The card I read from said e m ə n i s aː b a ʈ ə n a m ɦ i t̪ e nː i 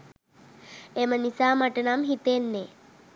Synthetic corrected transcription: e m ə n i s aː m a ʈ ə n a m ɦ i t̪ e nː e